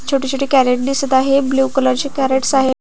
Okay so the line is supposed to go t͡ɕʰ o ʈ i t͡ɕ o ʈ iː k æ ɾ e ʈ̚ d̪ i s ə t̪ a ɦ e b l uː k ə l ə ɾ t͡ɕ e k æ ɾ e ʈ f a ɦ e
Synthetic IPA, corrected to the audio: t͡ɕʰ o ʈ i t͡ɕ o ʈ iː k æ ɾ e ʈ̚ d̪ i s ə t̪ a ɦ e b l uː k ə l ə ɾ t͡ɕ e k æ ɾ e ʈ s a ɦ e